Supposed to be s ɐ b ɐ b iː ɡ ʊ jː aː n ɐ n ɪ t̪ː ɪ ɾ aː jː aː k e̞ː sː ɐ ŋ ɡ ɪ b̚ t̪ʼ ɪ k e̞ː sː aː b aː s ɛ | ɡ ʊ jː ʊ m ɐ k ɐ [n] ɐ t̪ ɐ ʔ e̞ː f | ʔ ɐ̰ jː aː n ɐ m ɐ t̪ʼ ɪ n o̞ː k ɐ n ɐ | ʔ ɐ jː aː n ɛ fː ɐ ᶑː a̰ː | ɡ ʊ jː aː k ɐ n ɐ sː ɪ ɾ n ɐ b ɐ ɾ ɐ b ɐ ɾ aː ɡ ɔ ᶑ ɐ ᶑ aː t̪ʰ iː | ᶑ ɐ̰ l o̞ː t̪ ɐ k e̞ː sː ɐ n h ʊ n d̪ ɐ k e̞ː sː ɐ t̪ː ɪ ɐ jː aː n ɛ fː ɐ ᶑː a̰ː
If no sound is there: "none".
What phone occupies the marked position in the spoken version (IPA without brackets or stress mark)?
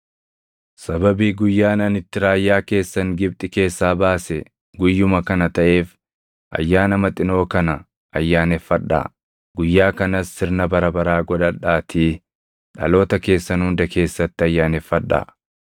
n